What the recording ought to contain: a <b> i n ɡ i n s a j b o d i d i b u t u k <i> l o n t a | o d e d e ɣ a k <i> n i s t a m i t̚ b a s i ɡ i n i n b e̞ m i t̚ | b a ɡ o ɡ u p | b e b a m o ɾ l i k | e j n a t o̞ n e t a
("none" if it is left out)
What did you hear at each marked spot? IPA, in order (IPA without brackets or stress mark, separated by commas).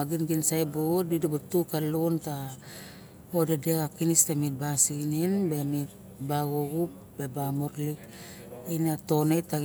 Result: ɡ, a, i